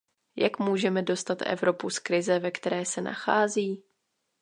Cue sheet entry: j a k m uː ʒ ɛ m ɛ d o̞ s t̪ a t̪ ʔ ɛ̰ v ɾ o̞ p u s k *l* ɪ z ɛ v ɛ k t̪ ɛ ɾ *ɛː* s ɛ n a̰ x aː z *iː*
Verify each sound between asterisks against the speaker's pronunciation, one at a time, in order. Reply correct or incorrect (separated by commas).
incorrect, correct, correct